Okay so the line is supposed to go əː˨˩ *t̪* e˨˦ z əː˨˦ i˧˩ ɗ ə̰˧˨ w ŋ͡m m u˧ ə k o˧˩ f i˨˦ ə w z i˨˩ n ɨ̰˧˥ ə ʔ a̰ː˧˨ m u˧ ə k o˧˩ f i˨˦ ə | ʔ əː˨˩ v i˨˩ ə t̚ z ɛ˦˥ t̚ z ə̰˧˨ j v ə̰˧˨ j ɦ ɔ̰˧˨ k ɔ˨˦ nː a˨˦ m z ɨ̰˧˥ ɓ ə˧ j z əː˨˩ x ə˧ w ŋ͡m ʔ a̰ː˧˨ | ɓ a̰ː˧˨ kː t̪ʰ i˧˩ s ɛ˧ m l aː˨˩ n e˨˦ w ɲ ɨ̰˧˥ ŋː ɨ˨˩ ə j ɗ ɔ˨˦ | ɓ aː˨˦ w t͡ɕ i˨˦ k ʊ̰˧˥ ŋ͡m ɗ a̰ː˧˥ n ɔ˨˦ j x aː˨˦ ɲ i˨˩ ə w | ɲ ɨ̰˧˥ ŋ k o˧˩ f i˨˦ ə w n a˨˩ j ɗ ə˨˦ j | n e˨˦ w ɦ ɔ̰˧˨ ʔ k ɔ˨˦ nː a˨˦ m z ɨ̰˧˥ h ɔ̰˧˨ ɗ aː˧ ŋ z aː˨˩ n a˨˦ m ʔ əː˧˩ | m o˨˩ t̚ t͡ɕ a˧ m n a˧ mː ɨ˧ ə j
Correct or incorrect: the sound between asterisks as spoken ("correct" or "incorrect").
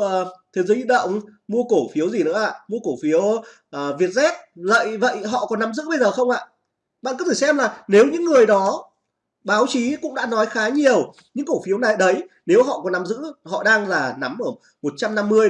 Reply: incorrect